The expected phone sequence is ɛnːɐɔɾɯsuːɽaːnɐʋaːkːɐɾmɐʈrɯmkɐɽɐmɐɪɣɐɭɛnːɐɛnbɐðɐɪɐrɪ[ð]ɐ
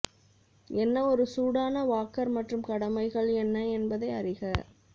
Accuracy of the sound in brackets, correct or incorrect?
incorrect